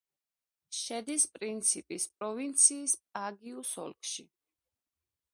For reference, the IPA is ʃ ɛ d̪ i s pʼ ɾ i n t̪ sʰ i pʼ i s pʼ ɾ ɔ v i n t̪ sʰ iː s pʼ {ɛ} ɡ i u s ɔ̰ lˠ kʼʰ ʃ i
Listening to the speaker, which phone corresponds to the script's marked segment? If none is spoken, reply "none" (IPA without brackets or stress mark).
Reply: a